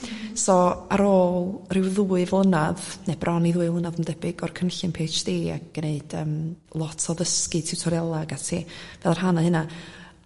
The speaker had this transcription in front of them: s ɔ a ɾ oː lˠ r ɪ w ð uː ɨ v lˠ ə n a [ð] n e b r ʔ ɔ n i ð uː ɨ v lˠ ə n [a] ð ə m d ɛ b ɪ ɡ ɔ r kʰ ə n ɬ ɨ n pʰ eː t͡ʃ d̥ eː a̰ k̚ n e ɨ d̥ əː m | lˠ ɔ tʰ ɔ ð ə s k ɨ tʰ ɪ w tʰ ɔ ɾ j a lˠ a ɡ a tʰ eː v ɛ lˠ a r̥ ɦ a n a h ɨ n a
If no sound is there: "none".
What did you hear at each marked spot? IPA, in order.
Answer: ð, a

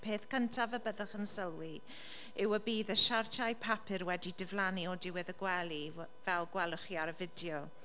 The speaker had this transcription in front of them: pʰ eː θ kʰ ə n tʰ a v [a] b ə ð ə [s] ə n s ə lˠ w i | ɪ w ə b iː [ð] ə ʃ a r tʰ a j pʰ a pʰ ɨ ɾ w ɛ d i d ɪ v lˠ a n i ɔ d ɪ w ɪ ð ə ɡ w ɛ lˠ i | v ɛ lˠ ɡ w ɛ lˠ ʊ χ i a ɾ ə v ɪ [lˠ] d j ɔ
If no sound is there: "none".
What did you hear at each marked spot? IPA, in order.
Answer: ə, χ, ð, none

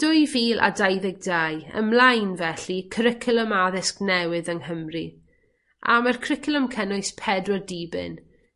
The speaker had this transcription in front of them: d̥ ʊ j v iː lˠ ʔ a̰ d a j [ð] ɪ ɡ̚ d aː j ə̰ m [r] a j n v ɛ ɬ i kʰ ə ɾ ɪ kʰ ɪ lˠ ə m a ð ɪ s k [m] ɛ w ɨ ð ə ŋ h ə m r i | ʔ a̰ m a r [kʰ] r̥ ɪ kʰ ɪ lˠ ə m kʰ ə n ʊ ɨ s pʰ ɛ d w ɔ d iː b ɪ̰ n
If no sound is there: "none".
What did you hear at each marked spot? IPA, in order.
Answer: ð, l, n, kʰ

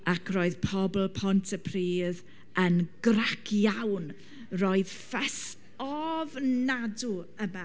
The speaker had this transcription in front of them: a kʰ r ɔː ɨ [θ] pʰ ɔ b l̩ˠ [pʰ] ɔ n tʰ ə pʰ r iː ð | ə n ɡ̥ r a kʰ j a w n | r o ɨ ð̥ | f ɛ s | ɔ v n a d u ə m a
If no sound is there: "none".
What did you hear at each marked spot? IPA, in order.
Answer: ð, pʰ

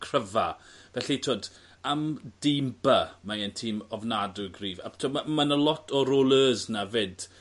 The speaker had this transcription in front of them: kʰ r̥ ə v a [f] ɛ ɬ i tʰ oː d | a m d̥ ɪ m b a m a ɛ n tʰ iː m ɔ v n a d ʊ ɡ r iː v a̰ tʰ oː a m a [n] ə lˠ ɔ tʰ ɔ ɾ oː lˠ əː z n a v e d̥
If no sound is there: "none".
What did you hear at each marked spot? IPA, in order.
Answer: v, n

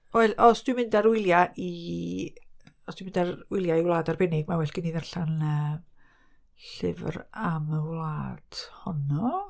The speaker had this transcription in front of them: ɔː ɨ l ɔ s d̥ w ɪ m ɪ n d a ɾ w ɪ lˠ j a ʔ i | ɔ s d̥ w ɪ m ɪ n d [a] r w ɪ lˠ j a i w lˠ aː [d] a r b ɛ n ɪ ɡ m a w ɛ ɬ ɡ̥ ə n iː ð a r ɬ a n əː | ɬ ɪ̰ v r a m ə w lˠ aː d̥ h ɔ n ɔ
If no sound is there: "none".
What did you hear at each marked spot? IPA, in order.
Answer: a, d

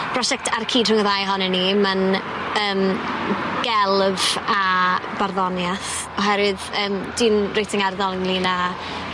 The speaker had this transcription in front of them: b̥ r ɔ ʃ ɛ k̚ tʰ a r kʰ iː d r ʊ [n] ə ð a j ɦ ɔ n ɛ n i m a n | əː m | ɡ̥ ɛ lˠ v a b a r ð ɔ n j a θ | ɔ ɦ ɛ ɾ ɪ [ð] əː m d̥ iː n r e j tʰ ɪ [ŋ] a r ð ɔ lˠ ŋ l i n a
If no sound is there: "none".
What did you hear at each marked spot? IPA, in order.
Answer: ŋ, ð, ŋ

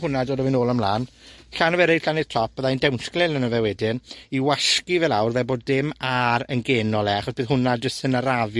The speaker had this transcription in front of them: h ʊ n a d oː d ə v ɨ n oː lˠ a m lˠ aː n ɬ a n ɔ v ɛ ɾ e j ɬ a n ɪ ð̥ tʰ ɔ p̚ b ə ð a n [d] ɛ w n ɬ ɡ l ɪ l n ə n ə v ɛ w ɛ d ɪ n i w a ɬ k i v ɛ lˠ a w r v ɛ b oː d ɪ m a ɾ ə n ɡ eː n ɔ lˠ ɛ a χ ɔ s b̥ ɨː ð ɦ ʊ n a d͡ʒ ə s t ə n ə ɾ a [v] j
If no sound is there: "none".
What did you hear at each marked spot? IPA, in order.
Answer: d, v

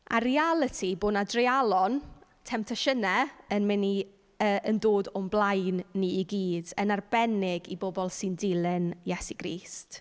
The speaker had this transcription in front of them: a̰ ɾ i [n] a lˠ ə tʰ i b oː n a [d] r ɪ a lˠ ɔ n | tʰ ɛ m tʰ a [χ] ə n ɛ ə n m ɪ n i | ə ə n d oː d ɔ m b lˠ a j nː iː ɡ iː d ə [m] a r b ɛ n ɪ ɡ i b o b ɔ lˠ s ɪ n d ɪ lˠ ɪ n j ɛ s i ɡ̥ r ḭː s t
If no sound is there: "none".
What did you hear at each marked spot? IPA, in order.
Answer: none, d, ʃ, n

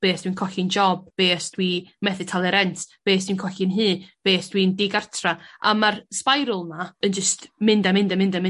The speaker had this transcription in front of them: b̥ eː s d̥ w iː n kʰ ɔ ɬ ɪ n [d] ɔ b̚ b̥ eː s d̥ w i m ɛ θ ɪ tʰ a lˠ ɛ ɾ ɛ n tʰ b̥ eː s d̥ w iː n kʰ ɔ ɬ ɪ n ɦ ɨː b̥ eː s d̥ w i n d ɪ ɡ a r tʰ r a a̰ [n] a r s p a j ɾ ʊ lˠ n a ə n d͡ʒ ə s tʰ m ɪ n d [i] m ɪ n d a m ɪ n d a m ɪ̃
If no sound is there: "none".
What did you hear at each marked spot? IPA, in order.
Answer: d͡ʒ, m, a

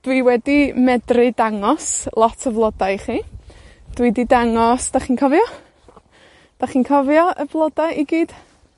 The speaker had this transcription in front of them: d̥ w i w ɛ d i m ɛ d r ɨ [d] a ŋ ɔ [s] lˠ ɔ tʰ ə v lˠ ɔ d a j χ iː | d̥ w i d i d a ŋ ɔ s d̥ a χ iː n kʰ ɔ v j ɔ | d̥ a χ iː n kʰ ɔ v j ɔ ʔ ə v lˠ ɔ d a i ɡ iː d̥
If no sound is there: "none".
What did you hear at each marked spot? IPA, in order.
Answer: d, s

